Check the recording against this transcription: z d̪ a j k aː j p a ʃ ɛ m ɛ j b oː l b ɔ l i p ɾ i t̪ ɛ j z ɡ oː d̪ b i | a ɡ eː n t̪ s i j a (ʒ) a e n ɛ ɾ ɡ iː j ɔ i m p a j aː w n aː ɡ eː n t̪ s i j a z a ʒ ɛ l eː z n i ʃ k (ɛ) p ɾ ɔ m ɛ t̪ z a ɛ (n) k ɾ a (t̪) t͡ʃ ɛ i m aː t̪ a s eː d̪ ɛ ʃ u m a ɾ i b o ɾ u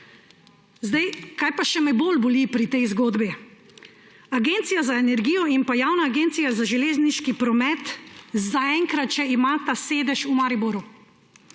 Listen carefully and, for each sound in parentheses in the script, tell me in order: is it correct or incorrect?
incorrect: z, incorrect: i, incorrect: ŋ, correct

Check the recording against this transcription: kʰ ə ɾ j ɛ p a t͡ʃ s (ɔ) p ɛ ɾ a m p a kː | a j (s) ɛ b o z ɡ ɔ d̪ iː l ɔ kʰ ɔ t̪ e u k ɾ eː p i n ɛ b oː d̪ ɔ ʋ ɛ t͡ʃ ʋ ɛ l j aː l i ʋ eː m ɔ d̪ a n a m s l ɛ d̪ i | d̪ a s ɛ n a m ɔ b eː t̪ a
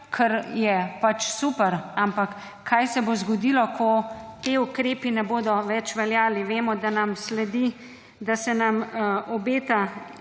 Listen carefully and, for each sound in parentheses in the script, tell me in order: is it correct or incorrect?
incorrect: u, correct

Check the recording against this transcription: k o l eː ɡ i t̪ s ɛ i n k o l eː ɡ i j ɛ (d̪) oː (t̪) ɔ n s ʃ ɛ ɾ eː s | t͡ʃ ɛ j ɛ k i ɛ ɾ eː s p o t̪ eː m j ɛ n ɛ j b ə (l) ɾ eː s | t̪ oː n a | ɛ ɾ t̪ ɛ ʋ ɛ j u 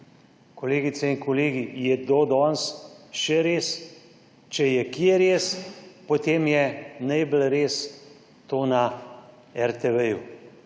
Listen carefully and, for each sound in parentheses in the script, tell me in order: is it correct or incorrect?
correct, incorrect: d̪, correct

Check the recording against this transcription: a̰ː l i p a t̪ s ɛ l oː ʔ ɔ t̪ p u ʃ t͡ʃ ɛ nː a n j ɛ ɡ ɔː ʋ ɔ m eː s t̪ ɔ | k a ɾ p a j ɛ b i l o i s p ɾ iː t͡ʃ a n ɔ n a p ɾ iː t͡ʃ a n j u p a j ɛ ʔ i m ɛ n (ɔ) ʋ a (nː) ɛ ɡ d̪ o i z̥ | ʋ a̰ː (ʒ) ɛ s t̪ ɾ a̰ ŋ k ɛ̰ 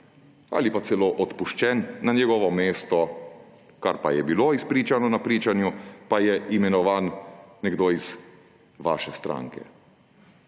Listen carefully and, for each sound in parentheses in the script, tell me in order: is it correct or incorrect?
correct, correct, incorrect: ʃ

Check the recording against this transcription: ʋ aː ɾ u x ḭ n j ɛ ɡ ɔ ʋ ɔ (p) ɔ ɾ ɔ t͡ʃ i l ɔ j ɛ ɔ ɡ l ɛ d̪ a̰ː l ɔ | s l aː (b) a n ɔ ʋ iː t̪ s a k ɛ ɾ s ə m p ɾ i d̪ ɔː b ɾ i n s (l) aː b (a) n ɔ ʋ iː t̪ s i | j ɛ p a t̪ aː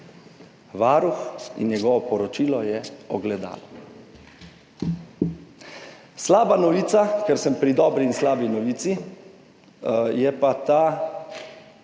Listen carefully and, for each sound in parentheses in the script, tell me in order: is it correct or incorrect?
correct, correct, correct, incorrect: i

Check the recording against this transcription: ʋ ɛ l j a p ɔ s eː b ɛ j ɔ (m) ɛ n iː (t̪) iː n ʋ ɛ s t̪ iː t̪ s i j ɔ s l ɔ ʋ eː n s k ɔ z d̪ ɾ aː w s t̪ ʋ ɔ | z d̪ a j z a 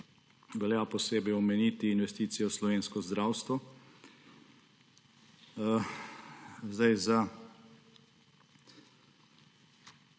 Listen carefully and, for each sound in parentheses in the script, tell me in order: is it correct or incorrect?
correct, correct

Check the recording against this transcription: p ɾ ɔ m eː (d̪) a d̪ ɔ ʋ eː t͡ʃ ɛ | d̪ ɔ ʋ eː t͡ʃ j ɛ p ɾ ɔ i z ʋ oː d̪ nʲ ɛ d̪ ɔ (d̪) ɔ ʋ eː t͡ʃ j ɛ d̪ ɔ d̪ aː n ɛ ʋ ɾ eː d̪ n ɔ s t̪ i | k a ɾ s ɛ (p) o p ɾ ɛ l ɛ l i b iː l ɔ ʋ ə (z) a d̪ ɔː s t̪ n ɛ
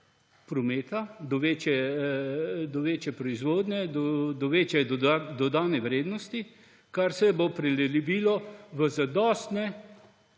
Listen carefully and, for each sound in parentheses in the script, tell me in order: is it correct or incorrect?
incorrect: t̪, correct, incorrect: b, correct

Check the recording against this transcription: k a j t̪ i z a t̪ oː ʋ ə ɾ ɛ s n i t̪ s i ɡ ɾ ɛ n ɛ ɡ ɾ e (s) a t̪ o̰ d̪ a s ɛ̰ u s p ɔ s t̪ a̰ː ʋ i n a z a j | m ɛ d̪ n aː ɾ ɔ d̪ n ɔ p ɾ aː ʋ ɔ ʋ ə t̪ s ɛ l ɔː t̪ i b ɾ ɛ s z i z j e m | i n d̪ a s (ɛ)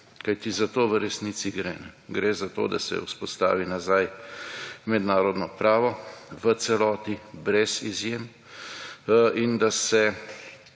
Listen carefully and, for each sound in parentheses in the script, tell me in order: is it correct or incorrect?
incorrect: z, correct

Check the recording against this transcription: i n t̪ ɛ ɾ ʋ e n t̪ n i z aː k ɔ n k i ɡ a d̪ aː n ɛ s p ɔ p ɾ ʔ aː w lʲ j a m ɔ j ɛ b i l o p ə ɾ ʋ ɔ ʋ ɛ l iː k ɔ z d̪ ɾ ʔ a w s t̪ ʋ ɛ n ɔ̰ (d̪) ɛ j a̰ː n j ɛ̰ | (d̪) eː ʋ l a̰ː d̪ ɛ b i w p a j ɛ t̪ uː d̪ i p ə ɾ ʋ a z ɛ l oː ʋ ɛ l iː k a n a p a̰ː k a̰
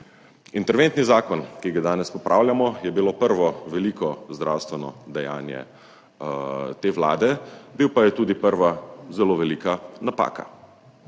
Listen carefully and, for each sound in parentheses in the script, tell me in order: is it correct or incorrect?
correct, incorrect: t̪

